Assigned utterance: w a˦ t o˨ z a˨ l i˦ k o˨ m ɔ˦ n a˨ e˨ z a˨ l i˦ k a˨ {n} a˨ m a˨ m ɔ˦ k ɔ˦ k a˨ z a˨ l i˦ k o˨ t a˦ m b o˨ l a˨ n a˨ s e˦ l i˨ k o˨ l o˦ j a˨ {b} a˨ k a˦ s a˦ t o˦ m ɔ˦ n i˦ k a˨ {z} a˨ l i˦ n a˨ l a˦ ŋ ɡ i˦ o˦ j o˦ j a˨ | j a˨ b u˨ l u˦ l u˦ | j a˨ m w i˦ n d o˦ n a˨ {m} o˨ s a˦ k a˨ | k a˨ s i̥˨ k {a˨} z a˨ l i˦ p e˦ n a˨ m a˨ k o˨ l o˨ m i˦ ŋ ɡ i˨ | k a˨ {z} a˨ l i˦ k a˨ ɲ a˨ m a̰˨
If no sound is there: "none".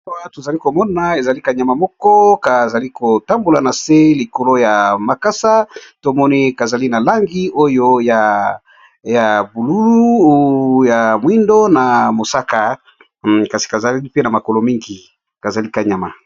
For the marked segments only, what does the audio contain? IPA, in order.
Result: ɲ, m, z, m, a˨, z

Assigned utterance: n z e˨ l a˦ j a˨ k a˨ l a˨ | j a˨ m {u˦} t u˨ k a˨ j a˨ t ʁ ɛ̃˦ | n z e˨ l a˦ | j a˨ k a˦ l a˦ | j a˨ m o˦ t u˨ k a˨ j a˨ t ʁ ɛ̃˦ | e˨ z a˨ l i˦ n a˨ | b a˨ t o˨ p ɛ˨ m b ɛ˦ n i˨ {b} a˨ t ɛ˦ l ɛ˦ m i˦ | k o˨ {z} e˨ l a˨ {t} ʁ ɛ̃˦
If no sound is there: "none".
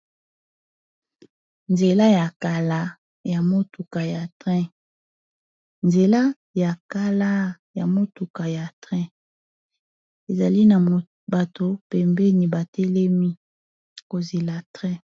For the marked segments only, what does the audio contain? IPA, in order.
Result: o˦, b, z, t

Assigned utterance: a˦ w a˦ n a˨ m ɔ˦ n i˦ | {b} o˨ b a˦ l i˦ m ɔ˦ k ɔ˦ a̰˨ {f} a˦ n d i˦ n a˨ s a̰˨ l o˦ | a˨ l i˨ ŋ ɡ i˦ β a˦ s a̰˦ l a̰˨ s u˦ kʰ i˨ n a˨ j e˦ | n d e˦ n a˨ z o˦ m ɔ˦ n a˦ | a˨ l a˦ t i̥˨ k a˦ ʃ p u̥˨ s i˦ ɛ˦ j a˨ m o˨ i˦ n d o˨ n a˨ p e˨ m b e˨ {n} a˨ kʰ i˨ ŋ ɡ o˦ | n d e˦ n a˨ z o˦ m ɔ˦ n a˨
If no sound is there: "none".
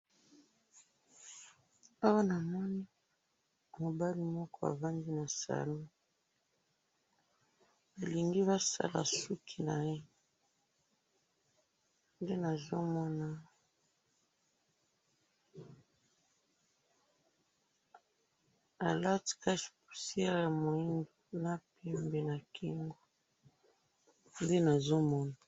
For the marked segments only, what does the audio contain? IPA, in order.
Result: m, v, n

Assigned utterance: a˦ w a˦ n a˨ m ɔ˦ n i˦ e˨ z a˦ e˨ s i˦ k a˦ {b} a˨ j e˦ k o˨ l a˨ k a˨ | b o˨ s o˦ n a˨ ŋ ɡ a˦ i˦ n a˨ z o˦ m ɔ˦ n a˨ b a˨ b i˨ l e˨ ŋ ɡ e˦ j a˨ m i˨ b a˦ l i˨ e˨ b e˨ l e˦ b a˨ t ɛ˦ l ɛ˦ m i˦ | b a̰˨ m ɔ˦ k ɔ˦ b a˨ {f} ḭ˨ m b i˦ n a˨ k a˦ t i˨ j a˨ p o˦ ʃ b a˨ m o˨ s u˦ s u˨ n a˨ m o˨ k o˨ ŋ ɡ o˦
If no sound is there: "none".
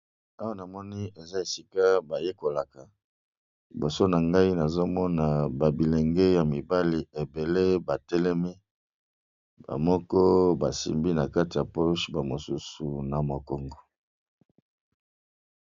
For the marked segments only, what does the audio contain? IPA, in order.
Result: b, s

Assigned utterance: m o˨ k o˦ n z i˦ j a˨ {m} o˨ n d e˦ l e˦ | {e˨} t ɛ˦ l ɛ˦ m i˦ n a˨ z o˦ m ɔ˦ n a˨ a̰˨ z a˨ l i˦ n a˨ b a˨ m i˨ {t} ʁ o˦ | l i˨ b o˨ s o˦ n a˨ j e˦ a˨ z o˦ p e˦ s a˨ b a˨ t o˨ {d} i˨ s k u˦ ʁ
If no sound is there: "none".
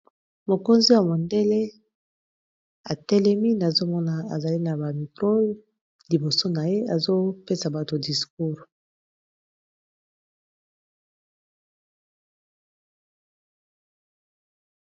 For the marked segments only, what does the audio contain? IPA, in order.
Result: m, a˨, k, d

